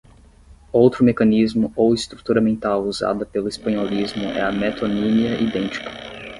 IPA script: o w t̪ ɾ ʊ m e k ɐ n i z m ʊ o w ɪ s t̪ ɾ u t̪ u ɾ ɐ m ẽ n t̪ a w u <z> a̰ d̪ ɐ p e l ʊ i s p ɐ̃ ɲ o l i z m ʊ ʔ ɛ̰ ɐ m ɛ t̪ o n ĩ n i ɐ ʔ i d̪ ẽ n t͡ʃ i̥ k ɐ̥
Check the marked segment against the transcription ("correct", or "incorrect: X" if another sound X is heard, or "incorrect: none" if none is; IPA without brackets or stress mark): correct